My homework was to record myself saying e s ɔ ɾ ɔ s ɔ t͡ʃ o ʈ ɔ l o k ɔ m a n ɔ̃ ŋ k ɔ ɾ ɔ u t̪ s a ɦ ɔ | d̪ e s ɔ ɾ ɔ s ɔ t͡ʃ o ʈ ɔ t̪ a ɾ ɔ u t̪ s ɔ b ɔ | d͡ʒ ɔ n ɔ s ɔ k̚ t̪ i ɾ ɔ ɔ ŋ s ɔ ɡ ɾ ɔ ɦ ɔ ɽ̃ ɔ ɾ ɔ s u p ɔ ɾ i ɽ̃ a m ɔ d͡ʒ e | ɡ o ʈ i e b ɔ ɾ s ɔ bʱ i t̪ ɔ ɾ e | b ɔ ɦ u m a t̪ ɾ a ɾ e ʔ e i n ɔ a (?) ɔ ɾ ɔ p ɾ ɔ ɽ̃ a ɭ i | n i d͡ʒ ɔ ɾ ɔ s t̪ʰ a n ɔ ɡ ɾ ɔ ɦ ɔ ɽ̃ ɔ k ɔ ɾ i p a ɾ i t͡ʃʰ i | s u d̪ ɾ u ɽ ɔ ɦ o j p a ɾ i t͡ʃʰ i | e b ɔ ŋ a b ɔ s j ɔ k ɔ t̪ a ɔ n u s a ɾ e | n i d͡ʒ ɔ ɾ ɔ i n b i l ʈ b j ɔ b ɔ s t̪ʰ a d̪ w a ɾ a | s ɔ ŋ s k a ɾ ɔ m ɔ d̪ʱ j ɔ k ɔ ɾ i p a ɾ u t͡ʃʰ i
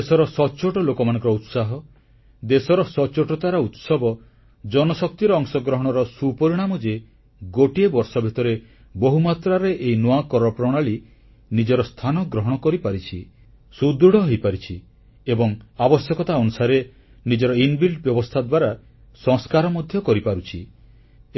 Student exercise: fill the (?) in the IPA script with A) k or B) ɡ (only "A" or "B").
A